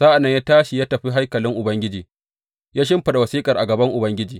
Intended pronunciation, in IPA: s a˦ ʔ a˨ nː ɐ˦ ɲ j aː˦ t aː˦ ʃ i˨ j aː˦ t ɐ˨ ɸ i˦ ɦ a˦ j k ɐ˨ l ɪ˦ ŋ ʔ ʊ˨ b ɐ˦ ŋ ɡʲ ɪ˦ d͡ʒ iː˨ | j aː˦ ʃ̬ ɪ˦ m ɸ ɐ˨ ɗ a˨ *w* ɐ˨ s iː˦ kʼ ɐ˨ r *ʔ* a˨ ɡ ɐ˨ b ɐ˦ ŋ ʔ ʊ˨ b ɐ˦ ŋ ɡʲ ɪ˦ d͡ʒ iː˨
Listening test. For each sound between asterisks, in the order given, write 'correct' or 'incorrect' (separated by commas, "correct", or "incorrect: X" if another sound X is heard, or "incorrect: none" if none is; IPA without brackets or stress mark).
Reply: correct, correct